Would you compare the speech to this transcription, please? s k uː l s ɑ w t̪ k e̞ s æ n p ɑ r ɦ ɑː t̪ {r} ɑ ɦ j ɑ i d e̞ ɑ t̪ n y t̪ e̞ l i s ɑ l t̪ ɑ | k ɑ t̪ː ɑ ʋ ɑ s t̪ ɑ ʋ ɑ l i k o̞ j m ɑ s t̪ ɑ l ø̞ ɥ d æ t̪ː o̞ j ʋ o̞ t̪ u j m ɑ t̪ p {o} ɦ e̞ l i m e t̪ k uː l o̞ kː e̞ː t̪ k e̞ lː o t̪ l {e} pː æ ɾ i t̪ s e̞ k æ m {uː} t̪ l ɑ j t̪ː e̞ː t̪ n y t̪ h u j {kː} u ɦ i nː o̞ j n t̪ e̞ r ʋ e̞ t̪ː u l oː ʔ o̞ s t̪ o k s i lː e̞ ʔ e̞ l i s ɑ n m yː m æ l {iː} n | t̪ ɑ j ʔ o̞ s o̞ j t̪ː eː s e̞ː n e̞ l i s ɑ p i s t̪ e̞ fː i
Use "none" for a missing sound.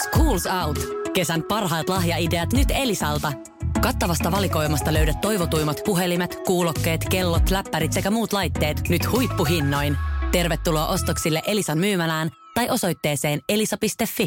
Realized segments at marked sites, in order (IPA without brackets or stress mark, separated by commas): l, u, æ, uː, pː, æː